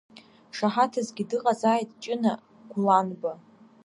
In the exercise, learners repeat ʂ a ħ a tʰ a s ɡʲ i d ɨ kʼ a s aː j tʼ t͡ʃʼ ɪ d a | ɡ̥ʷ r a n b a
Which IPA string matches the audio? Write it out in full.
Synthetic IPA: ʂ a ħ a tʰ a z ɡʲ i d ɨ qʼ a z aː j tʼ t͡ʃʼ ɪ n a | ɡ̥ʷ l a n b a